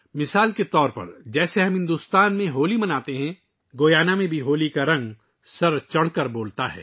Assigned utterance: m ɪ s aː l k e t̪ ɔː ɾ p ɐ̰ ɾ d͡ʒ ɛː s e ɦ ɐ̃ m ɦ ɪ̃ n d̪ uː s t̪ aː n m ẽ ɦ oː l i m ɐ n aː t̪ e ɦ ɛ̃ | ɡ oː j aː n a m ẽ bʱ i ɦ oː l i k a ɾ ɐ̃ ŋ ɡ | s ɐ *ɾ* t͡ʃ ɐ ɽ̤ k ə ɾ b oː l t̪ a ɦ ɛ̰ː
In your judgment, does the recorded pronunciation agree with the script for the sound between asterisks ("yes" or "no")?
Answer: yes